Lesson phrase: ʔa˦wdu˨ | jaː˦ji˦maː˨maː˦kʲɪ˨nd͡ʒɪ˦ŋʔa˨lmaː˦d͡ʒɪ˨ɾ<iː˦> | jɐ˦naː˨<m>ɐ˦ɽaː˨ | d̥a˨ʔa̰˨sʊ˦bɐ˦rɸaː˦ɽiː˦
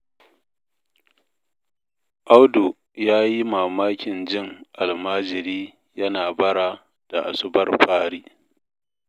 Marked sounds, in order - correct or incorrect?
correct, incorrect: b

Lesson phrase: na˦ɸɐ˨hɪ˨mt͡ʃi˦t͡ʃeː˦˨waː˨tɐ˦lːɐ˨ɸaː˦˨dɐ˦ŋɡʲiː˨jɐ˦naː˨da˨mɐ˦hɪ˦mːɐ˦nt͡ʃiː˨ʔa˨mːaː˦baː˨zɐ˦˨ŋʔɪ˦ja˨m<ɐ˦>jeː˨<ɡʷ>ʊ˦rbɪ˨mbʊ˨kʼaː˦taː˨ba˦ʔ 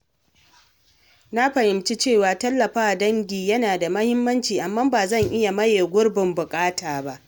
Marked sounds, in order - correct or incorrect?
correct, correct

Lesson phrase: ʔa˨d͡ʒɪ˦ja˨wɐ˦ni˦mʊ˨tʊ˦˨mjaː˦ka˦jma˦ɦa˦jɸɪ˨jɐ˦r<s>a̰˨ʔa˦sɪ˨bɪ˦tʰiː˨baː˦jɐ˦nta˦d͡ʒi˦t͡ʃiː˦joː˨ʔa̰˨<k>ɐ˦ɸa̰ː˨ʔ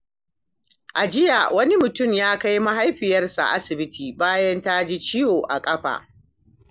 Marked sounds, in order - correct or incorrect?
correct, incorrect: kʼ

